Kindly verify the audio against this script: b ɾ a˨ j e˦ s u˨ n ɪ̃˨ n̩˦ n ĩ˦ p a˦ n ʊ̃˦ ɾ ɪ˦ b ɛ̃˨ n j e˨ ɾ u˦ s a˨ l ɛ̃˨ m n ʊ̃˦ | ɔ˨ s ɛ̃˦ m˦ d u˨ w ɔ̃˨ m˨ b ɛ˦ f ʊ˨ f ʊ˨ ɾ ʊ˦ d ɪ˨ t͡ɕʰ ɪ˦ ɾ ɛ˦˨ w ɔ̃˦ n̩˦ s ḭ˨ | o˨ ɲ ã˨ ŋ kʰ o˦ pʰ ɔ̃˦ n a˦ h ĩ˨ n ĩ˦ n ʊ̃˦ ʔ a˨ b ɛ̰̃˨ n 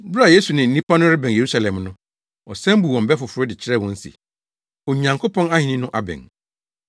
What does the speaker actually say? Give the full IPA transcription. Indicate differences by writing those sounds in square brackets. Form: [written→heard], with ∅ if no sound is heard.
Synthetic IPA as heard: b ɾ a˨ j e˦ s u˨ n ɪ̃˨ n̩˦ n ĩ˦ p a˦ n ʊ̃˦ ɾ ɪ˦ b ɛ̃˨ n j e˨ ɾ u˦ s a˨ l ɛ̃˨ m n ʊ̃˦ | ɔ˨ s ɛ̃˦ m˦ [d→b] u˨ w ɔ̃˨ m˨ b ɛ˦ f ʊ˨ f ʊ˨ ɾ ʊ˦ d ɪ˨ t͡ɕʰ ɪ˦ ɾ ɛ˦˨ w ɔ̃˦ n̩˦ s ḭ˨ | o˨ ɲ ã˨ ŋ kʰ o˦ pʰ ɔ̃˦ n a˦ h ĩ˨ n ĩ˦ n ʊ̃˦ ʔ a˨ b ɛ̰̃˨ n

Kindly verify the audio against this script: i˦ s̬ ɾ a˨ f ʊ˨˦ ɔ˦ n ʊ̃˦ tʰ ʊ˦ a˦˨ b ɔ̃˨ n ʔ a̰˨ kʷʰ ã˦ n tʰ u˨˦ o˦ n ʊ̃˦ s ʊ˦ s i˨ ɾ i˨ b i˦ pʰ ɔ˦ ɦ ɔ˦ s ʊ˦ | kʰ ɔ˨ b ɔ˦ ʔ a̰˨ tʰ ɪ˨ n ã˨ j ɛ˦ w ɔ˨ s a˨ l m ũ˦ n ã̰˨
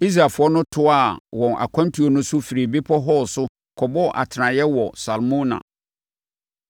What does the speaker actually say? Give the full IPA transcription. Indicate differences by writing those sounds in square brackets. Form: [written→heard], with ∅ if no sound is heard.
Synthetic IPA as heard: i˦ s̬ ɾ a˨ f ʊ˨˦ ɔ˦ n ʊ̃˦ tʰ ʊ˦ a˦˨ [b→w] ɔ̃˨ n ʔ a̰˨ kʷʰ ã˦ n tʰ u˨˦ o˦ n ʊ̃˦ s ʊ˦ [s→f] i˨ ɾ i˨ b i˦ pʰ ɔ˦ ɦ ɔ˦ s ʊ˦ | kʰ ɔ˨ b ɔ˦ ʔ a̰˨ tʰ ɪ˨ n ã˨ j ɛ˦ w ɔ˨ s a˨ l m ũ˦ n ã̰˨

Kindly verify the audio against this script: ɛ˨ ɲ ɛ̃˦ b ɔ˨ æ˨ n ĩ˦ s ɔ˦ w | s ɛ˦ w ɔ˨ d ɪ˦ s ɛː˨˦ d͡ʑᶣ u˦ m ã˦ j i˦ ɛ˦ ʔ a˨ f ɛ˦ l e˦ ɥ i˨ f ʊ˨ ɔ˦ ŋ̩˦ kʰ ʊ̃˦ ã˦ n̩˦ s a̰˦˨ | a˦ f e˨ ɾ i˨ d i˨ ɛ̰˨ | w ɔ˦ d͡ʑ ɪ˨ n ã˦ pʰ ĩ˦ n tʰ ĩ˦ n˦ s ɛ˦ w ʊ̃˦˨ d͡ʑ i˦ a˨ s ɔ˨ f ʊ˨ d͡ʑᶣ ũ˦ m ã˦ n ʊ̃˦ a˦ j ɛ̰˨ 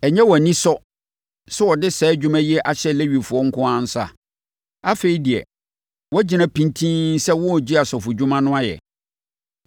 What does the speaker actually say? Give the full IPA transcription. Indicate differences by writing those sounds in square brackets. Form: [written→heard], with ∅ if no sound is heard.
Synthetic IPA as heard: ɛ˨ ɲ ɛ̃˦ [b→w] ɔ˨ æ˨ n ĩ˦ s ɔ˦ [w→∅] | s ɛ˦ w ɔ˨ d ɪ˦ s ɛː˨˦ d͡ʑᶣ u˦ m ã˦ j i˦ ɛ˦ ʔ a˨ [f→ɕ] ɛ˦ l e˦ ɥ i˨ f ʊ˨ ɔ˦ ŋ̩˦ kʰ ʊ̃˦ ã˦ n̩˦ s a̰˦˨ | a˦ f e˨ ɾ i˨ d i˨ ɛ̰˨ | w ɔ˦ d͡ʑ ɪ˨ n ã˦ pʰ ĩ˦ n tʰ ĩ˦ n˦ s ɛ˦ w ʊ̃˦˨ d͡ʑ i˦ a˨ s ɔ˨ f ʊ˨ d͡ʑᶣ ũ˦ m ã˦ n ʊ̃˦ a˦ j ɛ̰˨

